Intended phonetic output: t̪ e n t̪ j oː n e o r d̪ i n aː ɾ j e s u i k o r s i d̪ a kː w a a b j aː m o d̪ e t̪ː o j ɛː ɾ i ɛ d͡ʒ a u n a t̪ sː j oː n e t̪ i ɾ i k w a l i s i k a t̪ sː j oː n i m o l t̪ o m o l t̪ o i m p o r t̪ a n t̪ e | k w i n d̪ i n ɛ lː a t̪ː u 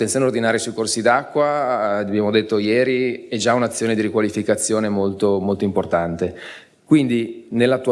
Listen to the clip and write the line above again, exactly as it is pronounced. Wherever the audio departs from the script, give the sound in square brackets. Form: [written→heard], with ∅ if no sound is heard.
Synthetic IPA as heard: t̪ e n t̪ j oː n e o r d̪ i n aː ɾ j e s u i k o r s i d̪ a kː w a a b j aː m o d̪ e t̪ː o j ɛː ɾ i ɛ d͡ʒ a u n a t̪ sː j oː n e [t̪→d̪] i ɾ i k w a l i [s→f] i k a t̪ sː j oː n [i→e] m o l t̪ o m o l t̪ o i m p o r t̪ a n t̪ e | k w i n d̪ i n [ɛ→e] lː a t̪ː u